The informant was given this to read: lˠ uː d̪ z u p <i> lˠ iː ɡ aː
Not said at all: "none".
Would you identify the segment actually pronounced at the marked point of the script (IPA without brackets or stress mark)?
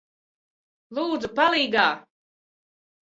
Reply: a